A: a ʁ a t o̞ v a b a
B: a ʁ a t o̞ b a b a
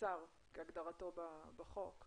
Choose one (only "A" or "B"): B